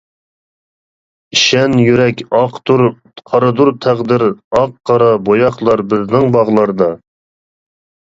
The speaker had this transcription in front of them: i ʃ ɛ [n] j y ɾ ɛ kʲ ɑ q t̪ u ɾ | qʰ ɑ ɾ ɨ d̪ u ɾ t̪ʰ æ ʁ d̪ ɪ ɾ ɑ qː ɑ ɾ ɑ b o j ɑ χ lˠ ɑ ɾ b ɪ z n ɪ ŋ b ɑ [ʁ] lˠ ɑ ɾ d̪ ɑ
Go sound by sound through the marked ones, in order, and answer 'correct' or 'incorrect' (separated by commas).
correct, correct